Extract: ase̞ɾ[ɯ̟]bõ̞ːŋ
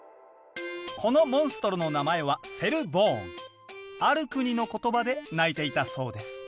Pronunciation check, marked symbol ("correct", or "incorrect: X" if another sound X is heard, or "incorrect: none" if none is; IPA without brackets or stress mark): correct